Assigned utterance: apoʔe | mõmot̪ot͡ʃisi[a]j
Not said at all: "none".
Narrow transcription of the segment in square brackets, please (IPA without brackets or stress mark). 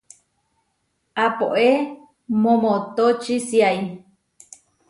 a